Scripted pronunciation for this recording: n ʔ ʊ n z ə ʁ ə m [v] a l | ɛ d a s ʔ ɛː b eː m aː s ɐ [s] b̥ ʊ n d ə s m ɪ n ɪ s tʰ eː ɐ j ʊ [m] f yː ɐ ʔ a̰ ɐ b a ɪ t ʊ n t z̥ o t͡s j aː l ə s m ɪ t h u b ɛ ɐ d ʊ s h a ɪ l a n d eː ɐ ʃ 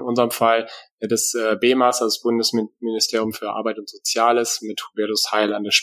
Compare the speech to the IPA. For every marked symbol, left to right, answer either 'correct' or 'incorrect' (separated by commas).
incorrect, correct, correct